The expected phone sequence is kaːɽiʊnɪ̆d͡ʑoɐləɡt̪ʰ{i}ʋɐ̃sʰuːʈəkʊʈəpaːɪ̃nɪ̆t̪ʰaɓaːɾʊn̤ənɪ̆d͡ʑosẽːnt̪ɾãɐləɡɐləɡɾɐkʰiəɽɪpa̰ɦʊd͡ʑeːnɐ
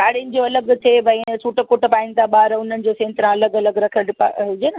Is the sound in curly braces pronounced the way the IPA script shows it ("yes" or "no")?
no